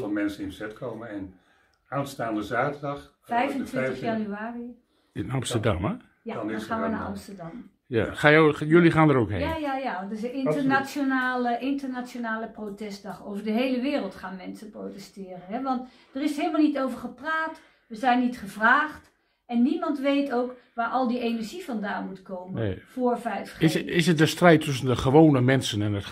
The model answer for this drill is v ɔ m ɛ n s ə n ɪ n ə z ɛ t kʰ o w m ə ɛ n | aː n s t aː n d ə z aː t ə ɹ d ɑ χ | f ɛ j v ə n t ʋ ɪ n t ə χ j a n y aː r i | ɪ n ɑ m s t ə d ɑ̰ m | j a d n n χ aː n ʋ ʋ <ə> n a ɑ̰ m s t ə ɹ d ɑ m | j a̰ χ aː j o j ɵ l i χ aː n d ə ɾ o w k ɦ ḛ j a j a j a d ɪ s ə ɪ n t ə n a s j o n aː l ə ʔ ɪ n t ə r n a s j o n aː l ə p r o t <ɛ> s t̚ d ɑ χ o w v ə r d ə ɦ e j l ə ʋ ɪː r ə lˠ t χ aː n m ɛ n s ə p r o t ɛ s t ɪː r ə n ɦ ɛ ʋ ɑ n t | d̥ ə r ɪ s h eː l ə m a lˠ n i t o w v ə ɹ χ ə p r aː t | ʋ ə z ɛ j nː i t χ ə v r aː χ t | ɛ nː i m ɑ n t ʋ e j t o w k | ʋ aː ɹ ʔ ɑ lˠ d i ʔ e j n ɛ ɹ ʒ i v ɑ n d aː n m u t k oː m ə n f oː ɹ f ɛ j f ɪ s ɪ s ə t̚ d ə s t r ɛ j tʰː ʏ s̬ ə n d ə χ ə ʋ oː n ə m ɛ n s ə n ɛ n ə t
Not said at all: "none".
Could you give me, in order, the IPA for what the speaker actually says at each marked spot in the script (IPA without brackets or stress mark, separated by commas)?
ə, ɛ